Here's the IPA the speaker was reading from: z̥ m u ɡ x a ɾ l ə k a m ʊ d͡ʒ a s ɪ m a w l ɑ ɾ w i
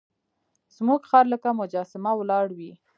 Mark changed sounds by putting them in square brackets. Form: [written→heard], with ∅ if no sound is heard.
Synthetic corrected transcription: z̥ m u ɡ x [a→ɑ] ɾ l ə k a m ʊ d͡ʒ [a→ɑ] s ɪ m a w l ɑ [ɾ→ɽ] w i